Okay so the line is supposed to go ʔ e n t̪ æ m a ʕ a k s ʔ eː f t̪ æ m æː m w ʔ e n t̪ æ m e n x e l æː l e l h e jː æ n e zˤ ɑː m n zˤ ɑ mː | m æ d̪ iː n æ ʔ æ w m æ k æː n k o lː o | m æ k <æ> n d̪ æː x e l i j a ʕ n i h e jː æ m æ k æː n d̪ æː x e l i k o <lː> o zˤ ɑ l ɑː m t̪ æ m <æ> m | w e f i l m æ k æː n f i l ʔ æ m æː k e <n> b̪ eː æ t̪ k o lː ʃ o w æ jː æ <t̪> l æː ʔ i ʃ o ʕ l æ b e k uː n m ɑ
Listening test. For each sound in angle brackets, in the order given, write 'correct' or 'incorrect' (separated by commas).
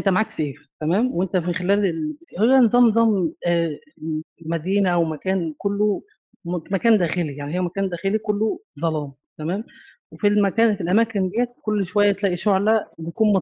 incorrect, correct, incorrect, correct, correct